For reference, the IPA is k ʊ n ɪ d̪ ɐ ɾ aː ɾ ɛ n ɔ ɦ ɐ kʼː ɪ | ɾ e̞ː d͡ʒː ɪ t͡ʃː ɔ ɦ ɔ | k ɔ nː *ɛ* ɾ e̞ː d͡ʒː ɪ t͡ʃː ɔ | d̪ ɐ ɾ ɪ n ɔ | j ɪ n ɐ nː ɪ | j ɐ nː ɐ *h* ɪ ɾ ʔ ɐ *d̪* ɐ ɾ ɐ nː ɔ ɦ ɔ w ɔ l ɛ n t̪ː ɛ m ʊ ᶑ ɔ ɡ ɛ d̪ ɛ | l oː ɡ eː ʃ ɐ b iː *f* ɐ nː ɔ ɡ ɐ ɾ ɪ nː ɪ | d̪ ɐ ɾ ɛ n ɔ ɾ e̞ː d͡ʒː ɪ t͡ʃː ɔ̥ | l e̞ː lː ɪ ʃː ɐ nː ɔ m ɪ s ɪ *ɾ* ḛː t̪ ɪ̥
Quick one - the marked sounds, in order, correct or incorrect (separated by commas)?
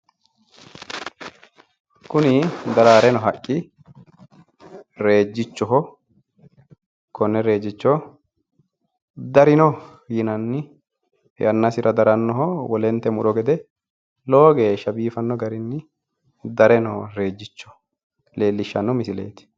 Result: correct, incorrect, correct, correct, incorrect